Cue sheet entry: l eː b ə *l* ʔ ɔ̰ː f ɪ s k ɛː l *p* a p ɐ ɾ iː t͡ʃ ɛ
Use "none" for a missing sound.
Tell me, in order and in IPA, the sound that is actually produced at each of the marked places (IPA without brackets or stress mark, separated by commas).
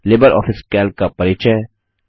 ɾ, k